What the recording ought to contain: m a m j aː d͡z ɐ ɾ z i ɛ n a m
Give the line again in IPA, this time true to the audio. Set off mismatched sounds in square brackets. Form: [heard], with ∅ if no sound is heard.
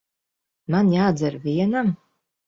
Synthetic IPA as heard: m a [n] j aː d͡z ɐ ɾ [v] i ɛ n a m